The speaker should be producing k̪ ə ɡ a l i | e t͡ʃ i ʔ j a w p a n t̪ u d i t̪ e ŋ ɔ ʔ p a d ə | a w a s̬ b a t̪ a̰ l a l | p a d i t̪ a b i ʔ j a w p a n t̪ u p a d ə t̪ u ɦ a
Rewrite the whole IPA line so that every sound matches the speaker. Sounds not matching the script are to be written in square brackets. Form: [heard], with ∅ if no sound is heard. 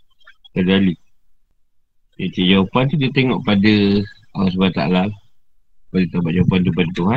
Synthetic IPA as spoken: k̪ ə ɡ a l i | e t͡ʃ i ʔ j a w p a n t̪ u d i t̪ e ŋ ɔ ʔ p a d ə | a w a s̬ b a t̪ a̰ l a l | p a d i t̪ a b [a] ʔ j a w p a n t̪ u p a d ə t̪ u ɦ a